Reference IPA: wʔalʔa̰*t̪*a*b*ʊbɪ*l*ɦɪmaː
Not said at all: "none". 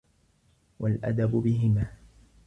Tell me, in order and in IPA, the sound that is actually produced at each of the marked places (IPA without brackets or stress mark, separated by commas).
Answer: d̪, b, none